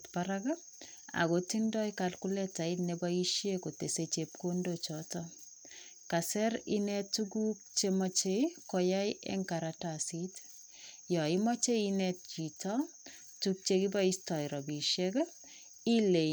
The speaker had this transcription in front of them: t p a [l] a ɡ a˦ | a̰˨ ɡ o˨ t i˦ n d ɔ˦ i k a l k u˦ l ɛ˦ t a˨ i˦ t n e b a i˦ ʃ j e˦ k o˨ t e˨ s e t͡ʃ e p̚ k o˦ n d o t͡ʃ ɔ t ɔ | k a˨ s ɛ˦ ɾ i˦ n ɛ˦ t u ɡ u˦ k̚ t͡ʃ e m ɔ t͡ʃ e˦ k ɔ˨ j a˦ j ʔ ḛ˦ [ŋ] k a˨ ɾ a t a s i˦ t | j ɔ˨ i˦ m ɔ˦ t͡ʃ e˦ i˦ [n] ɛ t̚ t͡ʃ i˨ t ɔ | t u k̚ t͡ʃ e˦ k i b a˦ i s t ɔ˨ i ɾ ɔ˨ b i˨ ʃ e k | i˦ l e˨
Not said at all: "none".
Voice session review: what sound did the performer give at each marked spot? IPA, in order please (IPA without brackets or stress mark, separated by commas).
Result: ɾ, ŋ, n